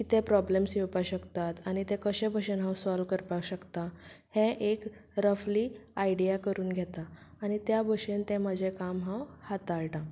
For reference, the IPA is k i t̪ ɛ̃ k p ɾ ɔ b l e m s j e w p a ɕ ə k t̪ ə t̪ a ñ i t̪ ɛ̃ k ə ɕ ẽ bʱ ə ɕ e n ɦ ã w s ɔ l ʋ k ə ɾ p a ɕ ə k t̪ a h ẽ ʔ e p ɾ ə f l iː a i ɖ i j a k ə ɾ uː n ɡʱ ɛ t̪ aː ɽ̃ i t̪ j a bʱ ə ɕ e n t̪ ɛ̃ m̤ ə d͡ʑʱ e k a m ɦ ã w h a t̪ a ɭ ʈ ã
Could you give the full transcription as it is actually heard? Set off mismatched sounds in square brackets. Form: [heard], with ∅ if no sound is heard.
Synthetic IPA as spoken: k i t̪ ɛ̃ [∅] p ɾ ɔ b l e m s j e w p a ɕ ə k t̪ [a] t̪ a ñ i t̪ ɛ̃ k ə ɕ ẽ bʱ ə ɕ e n ɦ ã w s ɔ l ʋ k ə ɾ p a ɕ ə k t̪ a h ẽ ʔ e [k] ɾ ə f l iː a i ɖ i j a k ə ɾ uː n ɡʱ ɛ t̪ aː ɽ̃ i t̪ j a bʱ ə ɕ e n t̪ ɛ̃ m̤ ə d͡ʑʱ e k a m ɦ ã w h a t̪ a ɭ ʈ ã